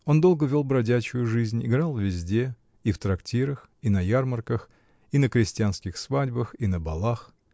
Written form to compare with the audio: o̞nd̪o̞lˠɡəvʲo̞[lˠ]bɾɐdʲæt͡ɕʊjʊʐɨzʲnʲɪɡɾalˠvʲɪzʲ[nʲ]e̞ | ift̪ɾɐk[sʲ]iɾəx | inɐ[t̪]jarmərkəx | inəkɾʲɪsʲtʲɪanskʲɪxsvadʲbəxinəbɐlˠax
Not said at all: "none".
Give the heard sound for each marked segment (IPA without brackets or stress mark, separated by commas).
lˠ, dʲ, tʲ, none